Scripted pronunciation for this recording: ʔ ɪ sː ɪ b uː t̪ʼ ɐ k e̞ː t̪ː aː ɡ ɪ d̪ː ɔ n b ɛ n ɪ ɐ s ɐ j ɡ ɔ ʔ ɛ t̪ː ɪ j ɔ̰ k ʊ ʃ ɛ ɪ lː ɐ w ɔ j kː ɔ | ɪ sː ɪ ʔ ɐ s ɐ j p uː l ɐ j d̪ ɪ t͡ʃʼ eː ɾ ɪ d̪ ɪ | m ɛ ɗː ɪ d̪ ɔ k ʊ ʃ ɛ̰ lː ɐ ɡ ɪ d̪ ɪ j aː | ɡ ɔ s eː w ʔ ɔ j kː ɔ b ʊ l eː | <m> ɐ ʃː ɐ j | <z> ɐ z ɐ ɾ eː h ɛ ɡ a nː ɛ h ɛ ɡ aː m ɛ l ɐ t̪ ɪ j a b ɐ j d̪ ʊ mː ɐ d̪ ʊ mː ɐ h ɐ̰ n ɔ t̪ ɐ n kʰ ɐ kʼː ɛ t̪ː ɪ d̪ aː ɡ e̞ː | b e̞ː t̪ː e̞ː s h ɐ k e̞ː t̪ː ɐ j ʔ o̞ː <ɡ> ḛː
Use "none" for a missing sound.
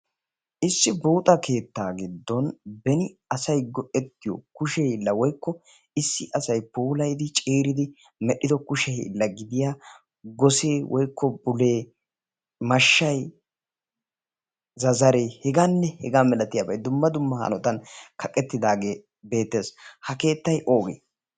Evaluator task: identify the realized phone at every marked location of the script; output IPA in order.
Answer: m, z, ɡ

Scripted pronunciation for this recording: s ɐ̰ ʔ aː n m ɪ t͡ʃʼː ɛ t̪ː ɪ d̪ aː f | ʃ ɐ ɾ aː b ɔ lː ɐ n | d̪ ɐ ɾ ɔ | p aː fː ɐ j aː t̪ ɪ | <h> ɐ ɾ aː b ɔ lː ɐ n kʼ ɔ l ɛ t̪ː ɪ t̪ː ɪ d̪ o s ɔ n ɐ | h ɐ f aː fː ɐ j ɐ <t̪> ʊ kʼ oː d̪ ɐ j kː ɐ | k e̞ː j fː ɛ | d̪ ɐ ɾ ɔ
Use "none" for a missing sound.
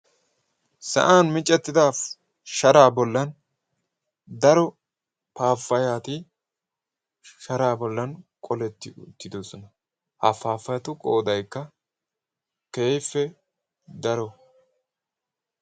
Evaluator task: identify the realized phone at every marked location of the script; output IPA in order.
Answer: ʃ, t̪

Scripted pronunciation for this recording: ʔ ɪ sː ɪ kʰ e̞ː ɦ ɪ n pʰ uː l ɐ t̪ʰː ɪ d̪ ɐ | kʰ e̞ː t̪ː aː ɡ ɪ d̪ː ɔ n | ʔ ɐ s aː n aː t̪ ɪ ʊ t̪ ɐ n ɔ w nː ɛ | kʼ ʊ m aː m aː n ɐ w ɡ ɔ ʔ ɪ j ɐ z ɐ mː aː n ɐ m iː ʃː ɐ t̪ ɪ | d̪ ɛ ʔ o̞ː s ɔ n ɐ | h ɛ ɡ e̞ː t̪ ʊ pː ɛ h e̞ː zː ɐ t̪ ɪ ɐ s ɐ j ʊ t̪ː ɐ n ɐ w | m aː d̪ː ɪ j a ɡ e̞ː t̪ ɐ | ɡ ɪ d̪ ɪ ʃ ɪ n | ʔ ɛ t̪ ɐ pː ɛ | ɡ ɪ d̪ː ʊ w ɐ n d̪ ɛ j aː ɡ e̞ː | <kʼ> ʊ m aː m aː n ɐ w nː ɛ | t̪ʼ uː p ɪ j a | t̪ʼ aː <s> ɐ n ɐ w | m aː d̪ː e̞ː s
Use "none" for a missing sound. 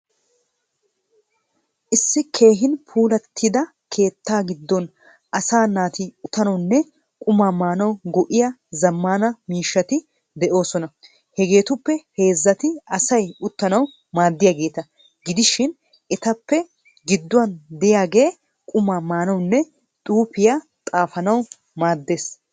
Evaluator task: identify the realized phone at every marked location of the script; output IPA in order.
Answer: kʼ, f

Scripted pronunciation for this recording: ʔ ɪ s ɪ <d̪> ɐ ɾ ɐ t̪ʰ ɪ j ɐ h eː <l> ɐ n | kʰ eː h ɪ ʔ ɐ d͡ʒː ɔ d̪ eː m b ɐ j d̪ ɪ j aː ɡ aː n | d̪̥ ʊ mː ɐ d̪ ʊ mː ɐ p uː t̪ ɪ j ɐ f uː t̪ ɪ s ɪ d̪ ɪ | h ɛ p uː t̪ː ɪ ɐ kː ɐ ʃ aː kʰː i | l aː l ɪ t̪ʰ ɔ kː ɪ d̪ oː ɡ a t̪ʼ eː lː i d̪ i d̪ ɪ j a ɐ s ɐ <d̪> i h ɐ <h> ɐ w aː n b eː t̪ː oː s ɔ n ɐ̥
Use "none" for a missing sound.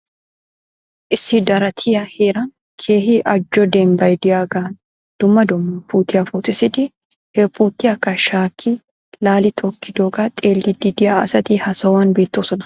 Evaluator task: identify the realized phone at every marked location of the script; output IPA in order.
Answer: d̪, ɾ, t̪, s

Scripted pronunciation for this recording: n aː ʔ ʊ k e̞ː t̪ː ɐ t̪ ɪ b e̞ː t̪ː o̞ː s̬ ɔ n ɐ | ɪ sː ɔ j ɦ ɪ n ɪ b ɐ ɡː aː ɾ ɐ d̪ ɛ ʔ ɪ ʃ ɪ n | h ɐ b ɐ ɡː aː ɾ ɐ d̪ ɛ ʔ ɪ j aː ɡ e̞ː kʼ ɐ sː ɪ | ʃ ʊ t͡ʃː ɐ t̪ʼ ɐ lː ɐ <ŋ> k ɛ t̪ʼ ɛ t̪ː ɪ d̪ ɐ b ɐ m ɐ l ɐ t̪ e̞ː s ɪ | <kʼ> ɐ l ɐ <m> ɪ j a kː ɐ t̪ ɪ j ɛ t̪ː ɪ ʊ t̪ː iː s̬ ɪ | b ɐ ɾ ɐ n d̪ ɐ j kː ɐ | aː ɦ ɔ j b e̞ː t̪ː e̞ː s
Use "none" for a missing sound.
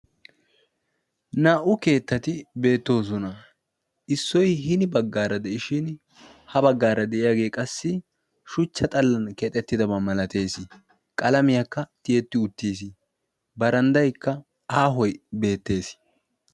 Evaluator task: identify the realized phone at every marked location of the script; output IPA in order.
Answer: n, kʼ, m

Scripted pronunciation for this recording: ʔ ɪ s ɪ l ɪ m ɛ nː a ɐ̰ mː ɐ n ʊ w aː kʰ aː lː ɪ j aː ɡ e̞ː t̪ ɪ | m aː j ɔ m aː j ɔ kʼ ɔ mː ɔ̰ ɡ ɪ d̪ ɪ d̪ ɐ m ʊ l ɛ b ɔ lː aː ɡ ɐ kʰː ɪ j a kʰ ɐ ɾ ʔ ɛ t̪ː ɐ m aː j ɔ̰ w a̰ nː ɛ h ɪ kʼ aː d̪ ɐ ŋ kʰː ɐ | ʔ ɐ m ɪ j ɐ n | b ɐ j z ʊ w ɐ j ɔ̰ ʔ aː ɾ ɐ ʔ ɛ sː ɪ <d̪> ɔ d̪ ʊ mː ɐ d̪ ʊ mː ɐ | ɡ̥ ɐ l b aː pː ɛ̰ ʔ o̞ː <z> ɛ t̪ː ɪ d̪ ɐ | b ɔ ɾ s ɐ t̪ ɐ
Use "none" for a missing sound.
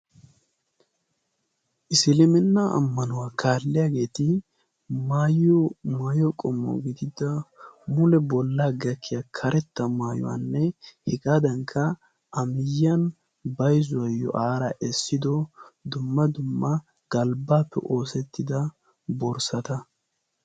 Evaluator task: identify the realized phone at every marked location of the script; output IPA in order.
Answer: d̪, s

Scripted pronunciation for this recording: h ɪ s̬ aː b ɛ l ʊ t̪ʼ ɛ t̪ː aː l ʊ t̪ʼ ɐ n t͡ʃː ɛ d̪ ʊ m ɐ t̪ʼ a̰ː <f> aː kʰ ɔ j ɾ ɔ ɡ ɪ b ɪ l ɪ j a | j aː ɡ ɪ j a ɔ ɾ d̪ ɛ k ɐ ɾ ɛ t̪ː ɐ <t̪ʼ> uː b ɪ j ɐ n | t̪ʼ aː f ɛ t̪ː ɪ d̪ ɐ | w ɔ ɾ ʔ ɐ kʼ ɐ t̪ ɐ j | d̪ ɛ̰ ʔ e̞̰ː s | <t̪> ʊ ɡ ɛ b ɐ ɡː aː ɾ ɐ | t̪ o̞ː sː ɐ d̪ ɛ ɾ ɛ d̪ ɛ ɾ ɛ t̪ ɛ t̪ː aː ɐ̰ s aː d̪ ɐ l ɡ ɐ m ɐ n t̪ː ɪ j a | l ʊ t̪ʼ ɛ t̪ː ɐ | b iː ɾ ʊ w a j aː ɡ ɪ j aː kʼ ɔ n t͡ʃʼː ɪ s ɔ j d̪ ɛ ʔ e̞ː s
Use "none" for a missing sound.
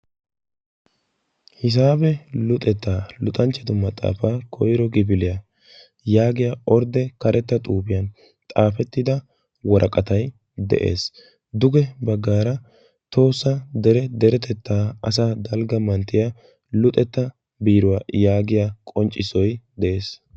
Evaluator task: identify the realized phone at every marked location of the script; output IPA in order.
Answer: f, t̪ʼ, d̪

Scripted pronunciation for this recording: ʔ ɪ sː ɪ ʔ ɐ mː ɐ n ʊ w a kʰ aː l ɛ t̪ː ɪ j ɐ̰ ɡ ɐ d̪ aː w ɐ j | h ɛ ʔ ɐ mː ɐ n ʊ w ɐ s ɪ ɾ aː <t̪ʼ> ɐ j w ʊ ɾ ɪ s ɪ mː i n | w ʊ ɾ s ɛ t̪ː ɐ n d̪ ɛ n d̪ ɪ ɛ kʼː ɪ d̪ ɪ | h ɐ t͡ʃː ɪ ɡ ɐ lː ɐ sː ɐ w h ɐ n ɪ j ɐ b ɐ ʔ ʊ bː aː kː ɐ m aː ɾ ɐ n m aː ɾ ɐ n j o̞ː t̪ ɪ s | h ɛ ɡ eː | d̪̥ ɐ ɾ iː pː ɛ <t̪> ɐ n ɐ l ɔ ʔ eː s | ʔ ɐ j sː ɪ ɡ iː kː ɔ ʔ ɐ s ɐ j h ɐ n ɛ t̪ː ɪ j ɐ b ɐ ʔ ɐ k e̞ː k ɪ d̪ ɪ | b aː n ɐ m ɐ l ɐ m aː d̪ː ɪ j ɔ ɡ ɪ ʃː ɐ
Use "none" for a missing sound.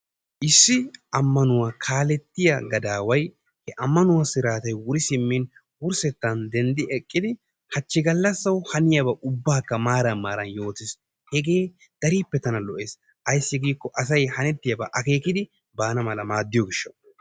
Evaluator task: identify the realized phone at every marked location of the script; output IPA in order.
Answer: t̪, t̪

